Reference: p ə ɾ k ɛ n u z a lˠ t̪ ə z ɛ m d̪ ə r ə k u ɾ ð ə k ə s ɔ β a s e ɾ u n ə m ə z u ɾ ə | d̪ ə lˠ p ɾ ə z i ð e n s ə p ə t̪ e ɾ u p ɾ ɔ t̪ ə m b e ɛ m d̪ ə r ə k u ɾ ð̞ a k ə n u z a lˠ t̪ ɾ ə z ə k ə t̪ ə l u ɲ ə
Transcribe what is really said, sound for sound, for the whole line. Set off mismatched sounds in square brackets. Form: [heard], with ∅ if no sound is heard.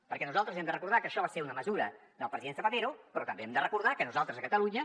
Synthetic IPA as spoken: p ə ɾ k ɛ n u z a lˠ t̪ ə z ɛ m d̪ ə r ə k u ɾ ð [a] k ə [ʃ] ɔ β a s e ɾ u n ə m ə z u ɾ ə | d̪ ə lˠ p ɾ ə z i ð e n s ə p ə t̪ e ɾ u p ɾ ɔ t̪ ə m b e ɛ m d̪ ə r ə k u ɾ ð̞ a k ə n u z a lˠ t̪ ɾ ə z ə k ə t̪ ə l u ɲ ə